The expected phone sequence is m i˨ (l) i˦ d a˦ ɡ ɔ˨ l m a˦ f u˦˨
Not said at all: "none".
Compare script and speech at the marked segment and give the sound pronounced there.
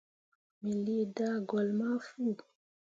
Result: l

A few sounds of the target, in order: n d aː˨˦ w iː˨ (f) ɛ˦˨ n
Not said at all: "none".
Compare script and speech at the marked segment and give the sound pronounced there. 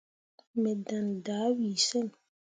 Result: s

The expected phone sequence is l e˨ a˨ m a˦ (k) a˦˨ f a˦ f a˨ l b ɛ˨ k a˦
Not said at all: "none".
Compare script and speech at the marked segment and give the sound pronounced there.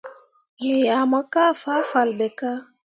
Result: k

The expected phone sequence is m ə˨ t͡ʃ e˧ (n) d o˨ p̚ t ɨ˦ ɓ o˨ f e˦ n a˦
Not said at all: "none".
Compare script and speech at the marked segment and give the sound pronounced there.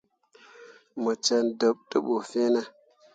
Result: n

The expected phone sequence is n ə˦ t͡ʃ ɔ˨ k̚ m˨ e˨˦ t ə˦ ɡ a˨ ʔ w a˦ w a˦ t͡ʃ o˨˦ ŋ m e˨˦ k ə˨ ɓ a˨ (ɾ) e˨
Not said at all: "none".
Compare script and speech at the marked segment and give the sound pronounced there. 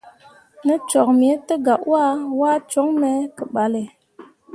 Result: l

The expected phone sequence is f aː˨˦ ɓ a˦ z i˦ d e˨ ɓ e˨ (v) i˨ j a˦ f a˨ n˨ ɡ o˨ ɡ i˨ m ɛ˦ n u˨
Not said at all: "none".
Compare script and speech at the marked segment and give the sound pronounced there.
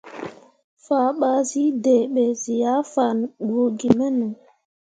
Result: z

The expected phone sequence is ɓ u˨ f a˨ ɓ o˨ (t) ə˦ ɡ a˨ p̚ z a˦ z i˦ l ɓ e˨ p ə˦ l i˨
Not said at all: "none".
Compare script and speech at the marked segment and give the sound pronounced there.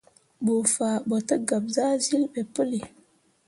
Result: t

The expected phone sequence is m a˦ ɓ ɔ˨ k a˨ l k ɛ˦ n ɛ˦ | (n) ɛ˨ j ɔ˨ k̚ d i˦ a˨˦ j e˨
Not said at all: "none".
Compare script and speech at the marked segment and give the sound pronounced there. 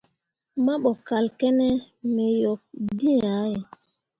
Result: m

